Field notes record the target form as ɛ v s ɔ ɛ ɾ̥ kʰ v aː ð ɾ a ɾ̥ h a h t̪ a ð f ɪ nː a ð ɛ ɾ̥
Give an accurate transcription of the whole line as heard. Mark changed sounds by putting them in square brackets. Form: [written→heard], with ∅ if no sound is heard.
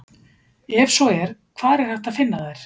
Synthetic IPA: ɛ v s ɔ ɛ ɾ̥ kʰ v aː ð ɾ [a→ɛ] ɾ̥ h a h t̪ a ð f ɪ nː a ð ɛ ɾ̥